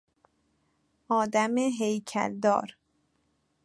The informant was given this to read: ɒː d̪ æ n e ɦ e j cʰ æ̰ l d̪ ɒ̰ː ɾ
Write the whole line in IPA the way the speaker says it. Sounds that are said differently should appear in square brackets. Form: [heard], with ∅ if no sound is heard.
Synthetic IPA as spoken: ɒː d̪ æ [m] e ɦ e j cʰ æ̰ l d̪ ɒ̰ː ɾ